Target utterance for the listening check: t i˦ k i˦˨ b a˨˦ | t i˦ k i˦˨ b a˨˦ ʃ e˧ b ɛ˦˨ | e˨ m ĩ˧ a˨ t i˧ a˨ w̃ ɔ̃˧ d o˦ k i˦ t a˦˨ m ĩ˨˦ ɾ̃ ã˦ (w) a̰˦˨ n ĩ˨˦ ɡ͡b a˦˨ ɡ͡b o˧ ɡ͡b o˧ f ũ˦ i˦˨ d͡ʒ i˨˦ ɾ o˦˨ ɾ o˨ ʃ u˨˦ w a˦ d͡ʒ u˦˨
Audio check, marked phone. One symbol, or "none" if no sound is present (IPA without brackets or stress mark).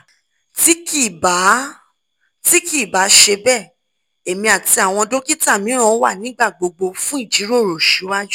w